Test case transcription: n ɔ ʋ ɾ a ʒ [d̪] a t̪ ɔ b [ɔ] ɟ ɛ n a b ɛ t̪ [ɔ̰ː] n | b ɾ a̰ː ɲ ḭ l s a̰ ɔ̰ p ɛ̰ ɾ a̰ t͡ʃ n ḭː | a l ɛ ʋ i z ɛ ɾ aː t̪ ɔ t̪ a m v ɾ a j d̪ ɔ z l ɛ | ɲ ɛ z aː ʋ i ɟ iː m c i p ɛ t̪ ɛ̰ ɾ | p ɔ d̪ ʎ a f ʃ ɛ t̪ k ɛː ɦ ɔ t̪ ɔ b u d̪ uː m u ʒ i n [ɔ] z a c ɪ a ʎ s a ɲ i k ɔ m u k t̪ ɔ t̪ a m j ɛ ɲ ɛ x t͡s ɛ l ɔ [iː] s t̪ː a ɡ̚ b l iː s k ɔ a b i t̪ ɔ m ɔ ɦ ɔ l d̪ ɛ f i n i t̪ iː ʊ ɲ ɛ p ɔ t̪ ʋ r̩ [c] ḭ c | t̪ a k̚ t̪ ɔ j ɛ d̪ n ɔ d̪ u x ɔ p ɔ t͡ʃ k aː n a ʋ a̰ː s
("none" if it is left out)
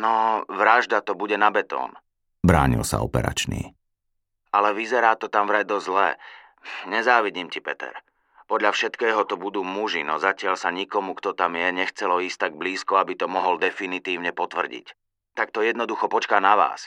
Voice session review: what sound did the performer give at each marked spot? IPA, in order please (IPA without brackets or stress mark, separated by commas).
d̪, u, ɔ̰ː, ɔ, iː, ɟ